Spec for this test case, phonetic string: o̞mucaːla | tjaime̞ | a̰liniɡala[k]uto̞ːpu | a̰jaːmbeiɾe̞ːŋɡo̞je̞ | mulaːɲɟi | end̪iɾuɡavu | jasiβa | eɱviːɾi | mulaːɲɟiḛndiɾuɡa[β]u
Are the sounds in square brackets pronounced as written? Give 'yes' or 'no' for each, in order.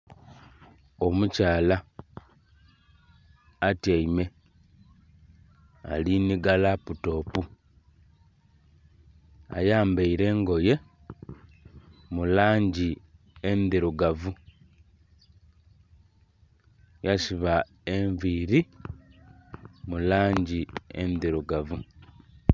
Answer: no, no

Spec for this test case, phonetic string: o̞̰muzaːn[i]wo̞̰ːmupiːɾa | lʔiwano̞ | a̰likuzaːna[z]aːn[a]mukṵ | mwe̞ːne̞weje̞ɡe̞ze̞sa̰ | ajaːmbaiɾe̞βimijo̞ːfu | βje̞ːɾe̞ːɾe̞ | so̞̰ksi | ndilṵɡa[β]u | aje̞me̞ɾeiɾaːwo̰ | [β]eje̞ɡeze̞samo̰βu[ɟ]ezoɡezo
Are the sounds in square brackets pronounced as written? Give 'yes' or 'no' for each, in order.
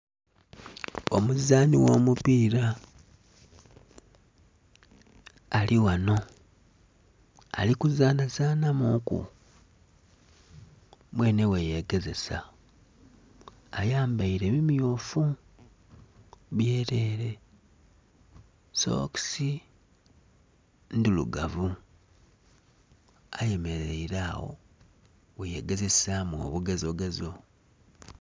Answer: yes, yes, yes, no, no, no

